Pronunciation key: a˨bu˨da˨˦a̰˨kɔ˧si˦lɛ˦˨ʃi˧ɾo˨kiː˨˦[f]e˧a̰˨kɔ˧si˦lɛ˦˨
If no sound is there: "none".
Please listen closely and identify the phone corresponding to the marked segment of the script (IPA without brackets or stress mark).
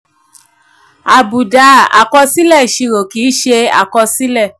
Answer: ʃ